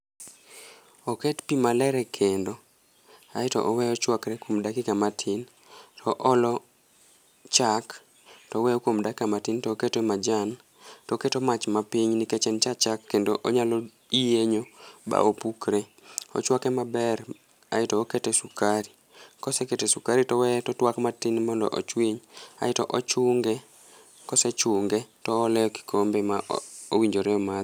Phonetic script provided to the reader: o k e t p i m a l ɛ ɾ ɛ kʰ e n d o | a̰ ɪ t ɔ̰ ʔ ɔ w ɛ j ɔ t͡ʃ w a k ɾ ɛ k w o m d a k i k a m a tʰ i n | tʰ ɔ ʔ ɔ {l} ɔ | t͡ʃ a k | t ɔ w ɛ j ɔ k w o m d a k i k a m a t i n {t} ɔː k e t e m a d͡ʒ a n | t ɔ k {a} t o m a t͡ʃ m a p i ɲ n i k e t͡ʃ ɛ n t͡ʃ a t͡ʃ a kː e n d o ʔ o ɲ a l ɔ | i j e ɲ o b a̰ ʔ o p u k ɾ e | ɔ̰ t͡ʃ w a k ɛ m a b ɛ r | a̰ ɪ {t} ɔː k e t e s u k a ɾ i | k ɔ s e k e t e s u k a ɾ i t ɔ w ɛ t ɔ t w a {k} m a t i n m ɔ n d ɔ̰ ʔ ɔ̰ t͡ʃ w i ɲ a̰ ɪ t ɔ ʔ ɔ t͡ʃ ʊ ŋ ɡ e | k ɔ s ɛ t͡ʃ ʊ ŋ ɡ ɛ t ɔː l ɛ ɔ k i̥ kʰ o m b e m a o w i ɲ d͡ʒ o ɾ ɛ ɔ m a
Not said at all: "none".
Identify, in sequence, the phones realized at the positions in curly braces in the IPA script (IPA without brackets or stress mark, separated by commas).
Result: l, t, e, t, k